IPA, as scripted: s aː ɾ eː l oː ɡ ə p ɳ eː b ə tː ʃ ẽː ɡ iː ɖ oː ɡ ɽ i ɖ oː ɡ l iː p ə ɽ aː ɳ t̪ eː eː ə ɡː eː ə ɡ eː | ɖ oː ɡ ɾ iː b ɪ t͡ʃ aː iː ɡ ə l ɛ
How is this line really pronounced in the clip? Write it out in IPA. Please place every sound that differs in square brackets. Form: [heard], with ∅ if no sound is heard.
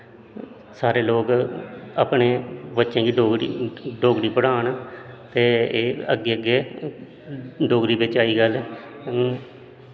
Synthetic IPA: s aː ɾ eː l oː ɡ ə p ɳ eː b ə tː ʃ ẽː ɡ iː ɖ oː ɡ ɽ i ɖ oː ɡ [ɽ] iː p ə ɽ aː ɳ t̪ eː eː ə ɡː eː ə ɡ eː | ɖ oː ɡ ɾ iː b ɪ t͡ʃ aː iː ɡ ə l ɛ